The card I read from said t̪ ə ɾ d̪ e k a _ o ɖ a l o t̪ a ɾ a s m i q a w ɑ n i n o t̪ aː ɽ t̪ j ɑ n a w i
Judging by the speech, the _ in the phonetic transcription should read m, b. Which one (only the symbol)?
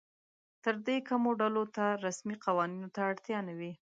m